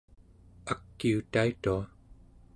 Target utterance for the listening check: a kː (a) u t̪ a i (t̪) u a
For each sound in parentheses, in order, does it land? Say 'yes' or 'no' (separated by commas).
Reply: no, yes